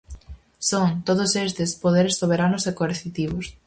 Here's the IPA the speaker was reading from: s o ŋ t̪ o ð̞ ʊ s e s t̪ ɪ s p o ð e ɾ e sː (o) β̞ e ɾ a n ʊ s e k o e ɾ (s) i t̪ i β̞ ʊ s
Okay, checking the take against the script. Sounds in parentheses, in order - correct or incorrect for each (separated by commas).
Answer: correct, incorrect